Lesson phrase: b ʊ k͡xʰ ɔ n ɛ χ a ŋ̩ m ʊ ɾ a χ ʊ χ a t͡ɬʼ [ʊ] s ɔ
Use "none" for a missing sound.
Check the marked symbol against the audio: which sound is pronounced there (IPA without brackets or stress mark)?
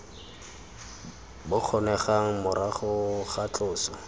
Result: ʊː